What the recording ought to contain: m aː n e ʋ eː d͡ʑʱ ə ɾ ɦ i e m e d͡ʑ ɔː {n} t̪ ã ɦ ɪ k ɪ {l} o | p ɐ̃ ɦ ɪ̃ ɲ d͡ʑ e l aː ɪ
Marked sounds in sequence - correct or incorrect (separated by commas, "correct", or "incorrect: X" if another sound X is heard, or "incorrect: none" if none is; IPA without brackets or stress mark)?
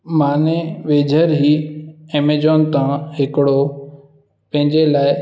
correct, incorrect: ɽ